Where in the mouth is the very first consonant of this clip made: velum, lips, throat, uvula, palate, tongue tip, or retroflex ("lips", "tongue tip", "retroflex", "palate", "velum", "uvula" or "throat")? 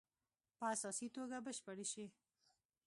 lips